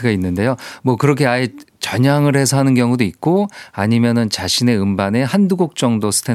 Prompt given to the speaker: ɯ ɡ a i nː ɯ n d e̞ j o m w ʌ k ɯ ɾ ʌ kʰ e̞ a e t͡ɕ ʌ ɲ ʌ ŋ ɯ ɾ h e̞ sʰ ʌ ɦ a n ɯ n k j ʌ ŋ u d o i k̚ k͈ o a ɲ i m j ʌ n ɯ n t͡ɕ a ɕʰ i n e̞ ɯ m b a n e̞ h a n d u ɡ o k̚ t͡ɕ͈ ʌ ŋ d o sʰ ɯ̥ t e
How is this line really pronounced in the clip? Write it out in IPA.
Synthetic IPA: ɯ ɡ a i nː ɯ n d e̞ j o m w ʌ k ɯ ɾ ʌ kʰ e̞ a e t͡ɕ ʌ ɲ a ŋ ɯ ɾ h e̞ sʰ ʌ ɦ a n ɯ n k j ʌ ŋ u d o i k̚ k͈ o a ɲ i m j ʌ n ɯ n t͡ɕ a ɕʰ i n e̞ ɯ m b a n e̞ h a n d u ɡ o k̚ t͡ɕ͈ ʌ ŋ d o sʰ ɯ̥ tʰ e